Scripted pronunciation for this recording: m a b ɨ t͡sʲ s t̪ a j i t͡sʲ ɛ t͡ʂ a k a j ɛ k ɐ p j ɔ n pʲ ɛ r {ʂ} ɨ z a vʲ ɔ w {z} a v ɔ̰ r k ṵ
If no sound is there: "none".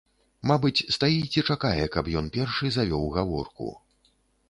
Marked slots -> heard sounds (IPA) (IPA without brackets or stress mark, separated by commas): ʂ, ɣ